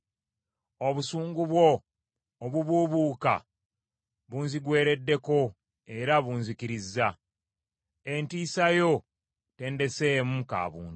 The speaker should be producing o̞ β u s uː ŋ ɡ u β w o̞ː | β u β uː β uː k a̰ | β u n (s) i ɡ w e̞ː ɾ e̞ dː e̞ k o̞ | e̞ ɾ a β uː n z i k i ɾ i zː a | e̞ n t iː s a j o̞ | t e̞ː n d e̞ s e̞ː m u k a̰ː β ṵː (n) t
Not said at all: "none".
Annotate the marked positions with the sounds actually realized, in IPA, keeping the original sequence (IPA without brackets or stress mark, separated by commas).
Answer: z, n